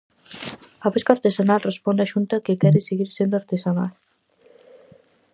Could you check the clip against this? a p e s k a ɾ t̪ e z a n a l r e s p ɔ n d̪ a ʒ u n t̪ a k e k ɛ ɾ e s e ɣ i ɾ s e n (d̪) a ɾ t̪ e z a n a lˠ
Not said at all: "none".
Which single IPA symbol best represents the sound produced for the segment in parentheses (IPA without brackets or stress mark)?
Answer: d̪